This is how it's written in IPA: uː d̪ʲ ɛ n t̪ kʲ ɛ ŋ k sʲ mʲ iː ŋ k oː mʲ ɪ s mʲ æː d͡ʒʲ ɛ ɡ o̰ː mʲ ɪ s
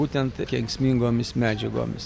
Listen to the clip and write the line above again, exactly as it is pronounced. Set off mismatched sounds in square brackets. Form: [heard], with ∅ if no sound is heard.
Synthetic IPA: uː [t̪ʲ] ɛ n t̪ kʲ ɛ ŋ k sʲ mʲ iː ŋ [ɡ] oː mʲ ɪ s mʲ æː d͡ʒʲ ɛ ɡ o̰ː mʲ ɪ s